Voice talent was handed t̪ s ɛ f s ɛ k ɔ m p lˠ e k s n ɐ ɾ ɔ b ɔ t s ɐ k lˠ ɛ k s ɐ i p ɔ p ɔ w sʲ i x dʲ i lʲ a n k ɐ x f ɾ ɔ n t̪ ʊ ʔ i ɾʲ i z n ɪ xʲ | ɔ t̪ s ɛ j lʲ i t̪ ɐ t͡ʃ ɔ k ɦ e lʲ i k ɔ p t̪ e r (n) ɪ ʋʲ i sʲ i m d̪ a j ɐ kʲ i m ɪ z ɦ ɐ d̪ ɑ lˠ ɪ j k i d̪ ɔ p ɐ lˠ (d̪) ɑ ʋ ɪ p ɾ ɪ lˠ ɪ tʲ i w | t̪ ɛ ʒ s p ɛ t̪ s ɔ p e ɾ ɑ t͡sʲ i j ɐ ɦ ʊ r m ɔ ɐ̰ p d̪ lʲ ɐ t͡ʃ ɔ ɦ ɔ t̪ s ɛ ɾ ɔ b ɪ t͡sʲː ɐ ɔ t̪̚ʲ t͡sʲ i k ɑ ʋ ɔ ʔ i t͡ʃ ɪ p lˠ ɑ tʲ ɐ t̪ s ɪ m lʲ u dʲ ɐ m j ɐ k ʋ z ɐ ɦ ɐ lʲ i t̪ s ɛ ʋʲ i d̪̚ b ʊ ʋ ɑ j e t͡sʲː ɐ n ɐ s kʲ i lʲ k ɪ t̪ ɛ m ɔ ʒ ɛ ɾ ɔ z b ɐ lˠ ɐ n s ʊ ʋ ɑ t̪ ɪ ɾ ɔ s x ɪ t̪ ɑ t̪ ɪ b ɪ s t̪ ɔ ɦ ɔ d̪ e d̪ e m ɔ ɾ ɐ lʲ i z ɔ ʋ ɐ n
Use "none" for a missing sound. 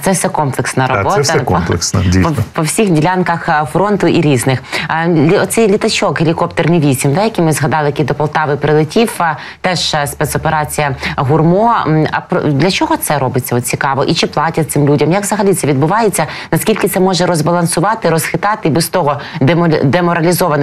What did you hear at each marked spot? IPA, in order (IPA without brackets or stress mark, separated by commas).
n, t̪